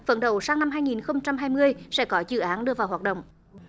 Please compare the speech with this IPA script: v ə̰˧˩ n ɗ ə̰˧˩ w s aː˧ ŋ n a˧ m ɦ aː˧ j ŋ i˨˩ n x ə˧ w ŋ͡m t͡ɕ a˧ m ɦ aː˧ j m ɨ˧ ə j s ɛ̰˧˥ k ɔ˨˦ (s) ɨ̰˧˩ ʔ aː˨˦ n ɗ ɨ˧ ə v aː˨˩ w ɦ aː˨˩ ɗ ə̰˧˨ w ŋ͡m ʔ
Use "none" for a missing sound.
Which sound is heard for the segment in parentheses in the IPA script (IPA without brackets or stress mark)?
z